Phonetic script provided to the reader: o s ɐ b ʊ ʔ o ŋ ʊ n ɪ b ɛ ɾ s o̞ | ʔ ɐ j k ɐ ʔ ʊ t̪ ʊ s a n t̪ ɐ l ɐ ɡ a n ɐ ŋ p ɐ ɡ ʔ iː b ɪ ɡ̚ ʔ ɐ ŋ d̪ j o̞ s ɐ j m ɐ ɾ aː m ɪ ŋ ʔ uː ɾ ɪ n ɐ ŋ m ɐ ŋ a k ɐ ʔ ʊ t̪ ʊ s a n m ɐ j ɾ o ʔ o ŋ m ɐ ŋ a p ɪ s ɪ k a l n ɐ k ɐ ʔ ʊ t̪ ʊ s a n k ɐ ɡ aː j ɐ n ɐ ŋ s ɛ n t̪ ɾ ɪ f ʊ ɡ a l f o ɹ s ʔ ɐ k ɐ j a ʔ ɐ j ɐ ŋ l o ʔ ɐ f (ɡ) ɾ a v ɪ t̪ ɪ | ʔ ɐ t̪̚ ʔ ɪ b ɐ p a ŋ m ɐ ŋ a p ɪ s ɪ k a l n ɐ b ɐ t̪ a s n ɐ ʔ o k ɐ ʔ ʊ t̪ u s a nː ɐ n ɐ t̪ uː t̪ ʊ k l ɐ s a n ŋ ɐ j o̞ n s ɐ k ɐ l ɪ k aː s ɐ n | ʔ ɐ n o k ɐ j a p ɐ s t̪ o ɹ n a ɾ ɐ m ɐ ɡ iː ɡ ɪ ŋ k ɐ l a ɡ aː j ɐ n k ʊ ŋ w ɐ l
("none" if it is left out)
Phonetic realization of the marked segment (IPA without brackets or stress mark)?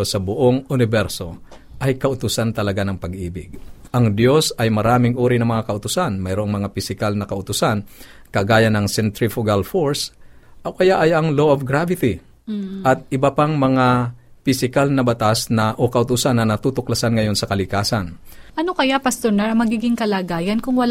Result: ɡ